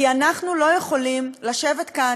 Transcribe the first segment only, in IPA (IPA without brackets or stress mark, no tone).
i